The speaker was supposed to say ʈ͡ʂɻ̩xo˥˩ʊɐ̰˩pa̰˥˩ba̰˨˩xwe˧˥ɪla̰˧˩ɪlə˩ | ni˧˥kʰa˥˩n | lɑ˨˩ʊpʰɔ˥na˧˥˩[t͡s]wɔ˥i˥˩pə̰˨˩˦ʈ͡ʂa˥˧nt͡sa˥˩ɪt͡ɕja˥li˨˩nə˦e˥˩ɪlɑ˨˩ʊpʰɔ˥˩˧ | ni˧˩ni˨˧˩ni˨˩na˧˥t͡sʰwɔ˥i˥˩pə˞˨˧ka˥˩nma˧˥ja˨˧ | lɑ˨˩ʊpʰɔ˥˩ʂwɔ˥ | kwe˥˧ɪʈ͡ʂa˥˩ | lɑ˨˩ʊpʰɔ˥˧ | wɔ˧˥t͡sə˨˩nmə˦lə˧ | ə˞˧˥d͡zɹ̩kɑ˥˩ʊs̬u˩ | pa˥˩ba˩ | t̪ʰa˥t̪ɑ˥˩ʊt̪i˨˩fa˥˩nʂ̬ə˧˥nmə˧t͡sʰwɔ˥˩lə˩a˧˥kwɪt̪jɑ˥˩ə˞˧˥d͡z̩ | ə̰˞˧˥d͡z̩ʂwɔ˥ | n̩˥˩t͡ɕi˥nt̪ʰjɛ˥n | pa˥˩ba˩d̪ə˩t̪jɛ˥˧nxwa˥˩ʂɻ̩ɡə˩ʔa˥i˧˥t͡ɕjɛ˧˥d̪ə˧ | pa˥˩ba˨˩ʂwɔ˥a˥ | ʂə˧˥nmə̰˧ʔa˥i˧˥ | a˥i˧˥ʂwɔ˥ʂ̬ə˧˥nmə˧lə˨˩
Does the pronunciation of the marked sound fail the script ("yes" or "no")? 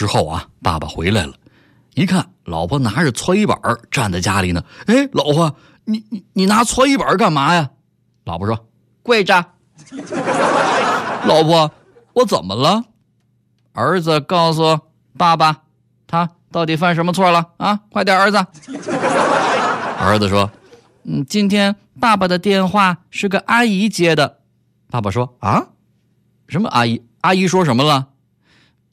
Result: yes